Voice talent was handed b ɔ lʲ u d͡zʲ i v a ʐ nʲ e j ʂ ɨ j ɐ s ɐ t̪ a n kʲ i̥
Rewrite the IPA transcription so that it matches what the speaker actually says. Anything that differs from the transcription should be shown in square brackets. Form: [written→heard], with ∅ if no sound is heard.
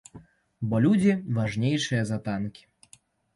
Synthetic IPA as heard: b ɔ lʲ u d͡zʲ i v a ʐ nʲ e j ʂ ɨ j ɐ [s→z] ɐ t̪ a n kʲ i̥